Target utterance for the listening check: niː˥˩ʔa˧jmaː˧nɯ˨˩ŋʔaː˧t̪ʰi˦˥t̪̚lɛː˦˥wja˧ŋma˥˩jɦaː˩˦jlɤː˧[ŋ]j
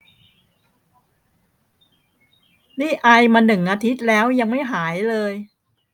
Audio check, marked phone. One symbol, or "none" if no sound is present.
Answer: none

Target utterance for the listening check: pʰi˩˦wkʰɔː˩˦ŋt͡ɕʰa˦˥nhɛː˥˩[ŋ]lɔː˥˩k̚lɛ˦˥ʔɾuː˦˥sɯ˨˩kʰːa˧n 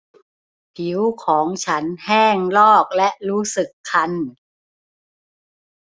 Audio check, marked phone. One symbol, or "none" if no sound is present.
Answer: ŋ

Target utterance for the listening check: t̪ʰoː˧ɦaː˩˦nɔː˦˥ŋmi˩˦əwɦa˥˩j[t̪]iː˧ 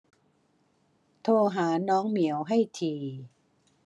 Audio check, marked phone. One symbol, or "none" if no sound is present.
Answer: t̪ʰ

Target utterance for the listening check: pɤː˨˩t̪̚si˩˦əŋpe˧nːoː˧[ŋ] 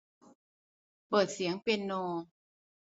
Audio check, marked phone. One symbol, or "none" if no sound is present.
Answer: none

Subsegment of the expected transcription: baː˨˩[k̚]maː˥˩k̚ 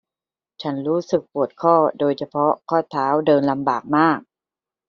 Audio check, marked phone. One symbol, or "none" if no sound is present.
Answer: k̚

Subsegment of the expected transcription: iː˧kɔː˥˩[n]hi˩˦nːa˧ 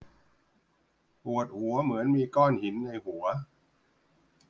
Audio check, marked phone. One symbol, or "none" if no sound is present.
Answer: n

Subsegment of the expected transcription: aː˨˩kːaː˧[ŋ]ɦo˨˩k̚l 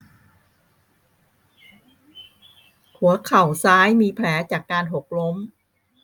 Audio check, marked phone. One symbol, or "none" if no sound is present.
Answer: n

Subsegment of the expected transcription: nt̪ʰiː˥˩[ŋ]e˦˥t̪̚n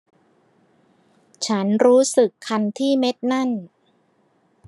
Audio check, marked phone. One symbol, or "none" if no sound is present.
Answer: m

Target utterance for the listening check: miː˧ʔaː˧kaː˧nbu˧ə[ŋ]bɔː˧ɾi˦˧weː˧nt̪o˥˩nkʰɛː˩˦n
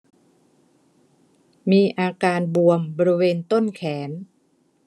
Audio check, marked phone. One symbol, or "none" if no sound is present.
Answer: m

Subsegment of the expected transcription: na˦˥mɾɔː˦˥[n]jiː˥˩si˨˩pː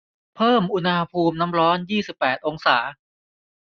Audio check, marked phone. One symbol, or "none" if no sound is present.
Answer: n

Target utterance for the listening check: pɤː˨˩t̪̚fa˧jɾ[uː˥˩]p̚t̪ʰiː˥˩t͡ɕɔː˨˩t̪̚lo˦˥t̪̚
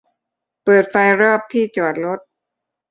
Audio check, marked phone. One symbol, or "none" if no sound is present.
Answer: ɔː˥˩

